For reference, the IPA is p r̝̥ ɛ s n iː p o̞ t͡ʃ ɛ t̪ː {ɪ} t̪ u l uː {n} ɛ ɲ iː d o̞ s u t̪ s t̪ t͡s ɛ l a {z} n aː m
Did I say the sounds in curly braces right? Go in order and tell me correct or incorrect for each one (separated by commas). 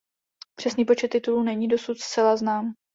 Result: correct, correct, correct